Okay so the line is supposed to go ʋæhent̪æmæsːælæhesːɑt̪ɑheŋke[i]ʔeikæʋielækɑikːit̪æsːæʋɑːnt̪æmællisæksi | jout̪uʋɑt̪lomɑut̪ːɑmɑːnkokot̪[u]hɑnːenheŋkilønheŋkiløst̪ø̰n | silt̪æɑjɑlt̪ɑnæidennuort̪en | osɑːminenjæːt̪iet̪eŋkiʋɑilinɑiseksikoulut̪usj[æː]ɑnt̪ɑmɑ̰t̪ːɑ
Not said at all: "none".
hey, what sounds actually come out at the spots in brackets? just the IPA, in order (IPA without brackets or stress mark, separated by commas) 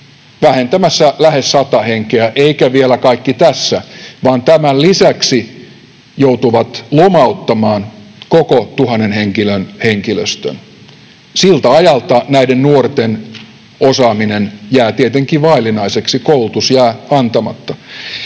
æ, u, æː